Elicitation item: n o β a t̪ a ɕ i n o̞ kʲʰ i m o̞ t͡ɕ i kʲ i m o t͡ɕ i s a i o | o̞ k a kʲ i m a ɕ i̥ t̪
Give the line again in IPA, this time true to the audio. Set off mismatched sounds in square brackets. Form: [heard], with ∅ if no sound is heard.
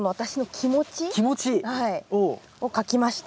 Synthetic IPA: n o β a t̪ a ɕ i n o̞ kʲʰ i m o̞ t͡ɕ i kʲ i m o t͡ɕ i [h] a i o | o̞ k a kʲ i m a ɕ i̥ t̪

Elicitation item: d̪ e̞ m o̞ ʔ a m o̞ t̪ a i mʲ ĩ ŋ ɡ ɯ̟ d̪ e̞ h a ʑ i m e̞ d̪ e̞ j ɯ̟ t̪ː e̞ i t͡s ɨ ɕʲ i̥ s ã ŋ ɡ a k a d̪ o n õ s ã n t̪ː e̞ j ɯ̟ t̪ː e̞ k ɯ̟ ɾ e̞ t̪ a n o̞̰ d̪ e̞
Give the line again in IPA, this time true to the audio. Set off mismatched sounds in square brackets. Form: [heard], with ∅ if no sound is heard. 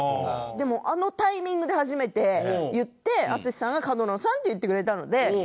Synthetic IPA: d̪ e̞ m o̞ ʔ a [n] o̞ t̪ a i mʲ ĩ ŋ ɡ ɯ̟ d̪ e̞ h a ʑ i m e̞ [t̪] e̞ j ɯ̟ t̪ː e̞ [a] t͡s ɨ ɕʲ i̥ s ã ŋ ɡ a k a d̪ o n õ s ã n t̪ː e̞ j ɯ̟ t̪ː e̞ k ɯ̟ ɾ e̞ t̪ a n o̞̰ d̪ e̞

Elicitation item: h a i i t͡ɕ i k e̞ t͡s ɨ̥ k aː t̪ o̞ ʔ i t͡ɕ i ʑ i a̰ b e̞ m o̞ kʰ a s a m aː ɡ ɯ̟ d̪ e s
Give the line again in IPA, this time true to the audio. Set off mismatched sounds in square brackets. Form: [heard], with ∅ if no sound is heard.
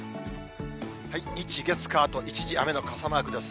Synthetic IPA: h a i i t͡ɕ i [ɡ] e̞ t͡s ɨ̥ k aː t̪ o̞ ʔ i t͡ɕ i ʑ i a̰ [m] e̞ [n] o̞ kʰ a s a m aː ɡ ɯ̟ d̪ e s

